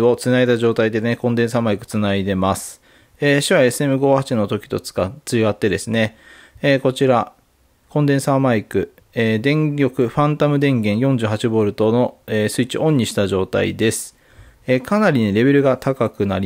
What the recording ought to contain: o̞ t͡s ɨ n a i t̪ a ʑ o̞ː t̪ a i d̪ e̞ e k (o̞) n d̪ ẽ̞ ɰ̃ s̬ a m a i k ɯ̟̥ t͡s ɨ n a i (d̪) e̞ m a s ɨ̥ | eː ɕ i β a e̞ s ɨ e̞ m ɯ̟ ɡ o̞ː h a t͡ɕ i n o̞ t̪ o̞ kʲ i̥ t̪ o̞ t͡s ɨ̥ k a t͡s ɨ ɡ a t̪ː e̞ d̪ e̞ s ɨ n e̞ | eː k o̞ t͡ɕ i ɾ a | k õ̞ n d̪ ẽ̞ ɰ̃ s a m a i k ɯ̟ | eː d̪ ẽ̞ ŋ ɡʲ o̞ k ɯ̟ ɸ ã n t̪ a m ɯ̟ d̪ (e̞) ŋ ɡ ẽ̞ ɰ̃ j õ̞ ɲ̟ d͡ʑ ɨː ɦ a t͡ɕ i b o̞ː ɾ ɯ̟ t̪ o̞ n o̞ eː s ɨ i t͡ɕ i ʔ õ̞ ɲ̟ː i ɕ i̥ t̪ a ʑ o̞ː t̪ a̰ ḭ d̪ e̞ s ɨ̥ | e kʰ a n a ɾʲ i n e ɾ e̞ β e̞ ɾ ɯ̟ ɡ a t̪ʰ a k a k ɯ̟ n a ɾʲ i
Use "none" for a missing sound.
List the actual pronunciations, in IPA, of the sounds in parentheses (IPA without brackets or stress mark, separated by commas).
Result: õ̞, d̪, ẽ̞